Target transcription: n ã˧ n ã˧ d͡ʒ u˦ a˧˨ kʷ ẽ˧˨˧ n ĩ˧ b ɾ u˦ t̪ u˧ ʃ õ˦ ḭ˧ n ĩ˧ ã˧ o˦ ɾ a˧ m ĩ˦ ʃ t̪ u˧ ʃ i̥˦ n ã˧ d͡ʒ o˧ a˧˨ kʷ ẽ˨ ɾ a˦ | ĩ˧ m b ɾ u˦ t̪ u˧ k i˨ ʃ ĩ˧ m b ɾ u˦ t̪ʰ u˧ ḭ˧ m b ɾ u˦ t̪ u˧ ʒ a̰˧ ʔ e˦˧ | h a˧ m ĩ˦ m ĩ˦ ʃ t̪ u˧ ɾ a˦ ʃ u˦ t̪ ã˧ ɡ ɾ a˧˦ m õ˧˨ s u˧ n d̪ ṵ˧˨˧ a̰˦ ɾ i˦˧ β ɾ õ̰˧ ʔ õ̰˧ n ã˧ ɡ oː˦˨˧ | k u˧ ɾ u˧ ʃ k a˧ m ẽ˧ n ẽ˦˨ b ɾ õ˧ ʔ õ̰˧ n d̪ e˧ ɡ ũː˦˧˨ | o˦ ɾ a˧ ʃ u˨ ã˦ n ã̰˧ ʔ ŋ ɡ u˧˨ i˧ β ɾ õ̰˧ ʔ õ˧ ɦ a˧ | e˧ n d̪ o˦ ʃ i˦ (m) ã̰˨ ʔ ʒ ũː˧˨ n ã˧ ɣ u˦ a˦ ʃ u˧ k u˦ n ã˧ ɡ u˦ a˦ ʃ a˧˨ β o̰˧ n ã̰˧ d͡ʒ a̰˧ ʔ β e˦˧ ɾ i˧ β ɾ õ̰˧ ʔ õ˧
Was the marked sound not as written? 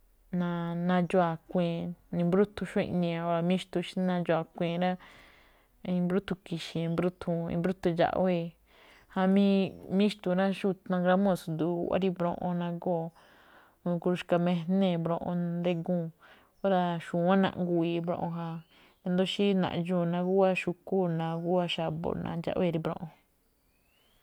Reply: yes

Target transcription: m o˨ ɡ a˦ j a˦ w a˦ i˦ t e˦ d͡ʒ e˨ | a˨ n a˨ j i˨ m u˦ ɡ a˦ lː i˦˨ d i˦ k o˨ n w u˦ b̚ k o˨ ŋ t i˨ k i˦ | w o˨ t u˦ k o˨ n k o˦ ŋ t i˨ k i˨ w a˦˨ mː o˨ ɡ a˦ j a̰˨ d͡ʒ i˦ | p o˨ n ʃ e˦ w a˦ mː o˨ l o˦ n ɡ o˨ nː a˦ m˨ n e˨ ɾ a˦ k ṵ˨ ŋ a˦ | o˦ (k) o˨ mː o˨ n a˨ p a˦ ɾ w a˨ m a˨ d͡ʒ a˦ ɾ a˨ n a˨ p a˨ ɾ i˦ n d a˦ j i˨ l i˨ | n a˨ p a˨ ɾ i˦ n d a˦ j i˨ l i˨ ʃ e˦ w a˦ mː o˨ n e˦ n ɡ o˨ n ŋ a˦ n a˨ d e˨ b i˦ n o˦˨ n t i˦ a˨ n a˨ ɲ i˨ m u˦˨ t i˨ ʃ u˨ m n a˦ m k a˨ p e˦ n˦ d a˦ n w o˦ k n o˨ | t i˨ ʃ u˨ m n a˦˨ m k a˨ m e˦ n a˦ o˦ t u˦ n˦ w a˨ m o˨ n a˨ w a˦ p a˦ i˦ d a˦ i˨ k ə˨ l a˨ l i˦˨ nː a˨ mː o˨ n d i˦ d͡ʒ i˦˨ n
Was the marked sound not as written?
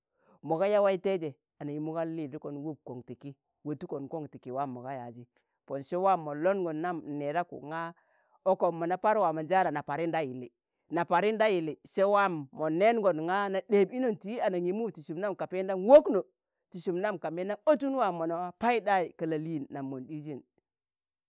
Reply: no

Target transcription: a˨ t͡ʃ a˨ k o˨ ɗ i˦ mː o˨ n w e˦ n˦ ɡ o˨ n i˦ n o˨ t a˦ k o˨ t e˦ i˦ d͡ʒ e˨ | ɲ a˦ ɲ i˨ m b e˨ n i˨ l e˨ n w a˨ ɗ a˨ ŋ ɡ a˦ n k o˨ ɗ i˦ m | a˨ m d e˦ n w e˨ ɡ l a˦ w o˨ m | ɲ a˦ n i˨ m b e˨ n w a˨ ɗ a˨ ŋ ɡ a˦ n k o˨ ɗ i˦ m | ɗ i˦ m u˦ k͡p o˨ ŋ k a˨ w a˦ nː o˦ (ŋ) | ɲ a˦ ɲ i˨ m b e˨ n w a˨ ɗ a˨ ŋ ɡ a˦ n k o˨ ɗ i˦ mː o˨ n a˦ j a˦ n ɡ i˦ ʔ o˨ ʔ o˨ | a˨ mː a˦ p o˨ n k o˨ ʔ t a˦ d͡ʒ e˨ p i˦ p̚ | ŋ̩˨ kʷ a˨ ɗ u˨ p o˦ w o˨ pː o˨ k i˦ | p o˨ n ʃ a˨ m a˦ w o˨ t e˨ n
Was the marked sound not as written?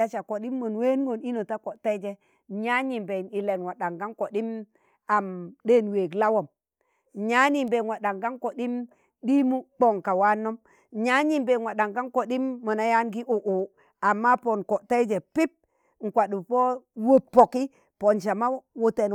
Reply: yes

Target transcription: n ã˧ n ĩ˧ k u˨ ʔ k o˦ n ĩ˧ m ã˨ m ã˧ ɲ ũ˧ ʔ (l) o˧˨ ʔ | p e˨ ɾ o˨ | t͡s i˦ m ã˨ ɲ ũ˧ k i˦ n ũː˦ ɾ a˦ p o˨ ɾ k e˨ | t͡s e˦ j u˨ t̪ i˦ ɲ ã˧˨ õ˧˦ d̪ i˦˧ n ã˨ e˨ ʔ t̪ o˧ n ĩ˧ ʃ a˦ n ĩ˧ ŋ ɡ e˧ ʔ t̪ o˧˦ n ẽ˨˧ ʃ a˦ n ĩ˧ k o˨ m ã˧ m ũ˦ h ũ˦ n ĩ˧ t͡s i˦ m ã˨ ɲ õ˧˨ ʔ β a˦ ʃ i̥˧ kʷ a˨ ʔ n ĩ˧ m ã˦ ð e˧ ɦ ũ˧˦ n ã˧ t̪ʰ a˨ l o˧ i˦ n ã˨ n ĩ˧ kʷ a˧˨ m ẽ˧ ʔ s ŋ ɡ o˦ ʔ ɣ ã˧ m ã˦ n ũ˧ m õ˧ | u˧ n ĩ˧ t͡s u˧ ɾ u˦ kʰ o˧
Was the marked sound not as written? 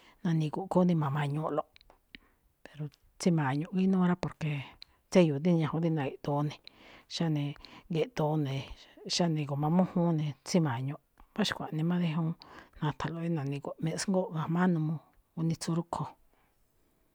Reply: no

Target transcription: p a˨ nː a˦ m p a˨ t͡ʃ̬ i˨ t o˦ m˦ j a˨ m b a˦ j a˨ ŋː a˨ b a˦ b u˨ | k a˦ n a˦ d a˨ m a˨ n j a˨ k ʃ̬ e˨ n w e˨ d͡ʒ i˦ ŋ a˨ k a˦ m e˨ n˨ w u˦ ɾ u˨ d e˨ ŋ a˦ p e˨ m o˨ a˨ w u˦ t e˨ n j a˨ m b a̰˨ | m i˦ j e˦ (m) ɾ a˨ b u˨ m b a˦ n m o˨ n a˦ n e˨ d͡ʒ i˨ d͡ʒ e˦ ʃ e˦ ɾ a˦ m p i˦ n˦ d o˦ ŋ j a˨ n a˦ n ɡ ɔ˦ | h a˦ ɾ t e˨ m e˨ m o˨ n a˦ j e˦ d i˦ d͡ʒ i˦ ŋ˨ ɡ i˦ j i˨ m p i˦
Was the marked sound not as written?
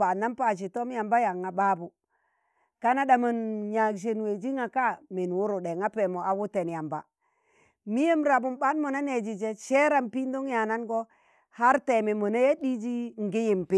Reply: no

